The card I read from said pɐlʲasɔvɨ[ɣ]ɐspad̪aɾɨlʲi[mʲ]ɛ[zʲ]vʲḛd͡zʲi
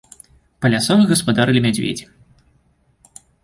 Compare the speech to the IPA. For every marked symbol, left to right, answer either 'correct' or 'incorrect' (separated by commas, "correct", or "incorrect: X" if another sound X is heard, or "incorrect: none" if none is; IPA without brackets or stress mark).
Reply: correct, correct, incorrect: d͡zʲ